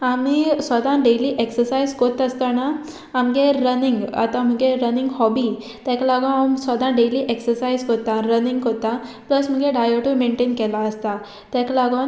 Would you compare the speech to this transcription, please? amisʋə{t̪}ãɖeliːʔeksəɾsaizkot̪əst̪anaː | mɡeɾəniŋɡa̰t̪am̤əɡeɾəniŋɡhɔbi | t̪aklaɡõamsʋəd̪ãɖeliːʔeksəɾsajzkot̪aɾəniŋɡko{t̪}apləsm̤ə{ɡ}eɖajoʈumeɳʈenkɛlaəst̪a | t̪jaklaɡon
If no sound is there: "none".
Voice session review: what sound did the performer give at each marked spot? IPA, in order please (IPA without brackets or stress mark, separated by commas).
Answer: d̪, t̪, ɡ